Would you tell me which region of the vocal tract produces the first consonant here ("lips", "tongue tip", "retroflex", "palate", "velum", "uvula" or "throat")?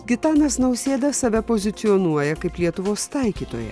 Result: velum